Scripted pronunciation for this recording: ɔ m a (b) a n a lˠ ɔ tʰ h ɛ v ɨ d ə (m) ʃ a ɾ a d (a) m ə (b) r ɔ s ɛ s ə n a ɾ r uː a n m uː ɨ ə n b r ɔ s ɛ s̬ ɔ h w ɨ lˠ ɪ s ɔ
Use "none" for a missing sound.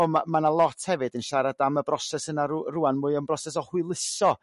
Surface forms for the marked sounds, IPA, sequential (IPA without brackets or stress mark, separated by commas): m, n, a, b